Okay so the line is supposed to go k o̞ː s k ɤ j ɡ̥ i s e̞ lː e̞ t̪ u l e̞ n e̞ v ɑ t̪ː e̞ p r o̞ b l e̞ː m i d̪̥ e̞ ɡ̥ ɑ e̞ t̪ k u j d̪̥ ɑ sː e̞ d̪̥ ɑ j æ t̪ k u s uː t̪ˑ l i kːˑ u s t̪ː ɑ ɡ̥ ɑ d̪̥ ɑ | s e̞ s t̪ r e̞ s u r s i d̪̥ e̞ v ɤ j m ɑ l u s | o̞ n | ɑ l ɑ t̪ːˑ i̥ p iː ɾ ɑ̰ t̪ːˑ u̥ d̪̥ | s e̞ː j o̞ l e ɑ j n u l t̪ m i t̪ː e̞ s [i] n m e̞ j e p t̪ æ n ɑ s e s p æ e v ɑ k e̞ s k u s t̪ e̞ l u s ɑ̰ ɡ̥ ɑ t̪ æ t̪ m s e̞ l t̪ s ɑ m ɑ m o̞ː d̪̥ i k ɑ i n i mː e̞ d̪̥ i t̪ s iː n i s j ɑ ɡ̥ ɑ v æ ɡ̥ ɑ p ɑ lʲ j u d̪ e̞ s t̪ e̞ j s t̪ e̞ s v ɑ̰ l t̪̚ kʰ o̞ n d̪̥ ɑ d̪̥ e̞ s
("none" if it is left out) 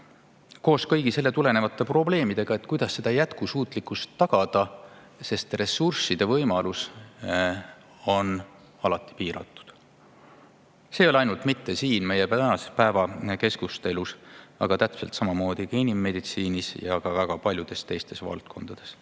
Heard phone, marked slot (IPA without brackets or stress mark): iː